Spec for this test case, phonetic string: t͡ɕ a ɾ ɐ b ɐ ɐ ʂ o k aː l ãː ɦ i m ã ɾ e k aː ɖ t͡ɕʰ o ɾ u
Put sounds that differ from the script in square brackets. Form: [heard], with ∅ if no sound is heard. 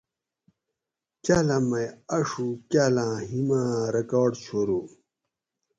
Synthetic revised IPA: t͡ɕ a [l] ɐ [m] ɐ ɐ ʂ [u] k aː l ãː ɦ i m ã ɾ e k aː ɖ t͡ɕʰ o ɾ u